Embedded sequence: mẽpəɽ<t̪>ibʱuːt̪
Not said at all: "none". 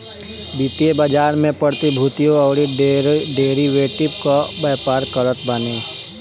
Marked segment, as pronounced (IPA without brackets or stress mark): t̪